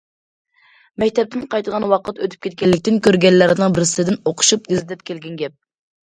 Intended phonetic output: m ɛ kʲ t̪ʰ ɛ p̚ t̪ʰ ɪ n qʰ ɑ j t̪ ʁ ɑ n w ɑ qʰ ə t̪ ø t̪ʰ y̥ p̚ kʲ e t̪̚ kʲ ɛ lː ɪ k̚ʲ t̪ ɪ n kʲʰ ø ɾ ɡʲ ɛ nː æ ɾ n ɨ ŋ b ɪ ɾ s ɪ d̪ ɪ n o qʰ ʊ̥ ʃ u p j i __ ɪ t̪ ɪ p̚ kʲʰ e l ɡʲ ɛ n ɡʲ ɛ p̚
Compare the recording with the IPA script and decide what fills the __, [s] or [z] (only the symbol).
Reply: z